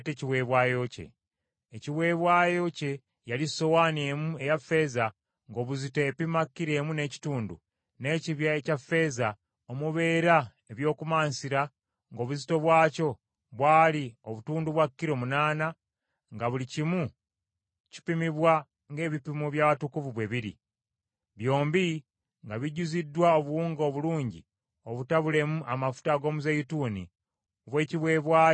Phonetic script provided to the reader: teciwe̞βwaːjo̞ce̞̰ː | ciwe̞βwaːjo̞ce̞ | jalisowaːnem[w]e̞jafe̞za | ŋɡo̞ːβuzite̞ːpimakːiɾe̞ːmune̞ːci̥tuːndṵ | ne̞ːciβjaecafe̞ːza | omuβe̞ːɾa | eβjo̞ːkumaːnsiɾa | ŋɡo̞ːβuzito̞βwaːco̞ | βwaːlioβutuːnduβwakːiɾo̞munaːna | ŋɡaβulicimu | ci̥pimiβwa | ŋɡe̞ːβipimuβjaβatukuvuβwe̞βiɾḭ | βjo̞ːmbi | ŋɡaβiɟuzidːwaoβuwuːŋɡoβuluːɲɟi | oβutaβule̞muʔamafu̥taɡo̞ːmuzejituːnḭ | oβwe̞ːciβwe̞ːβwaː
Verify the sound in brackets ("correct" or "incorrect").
incorrect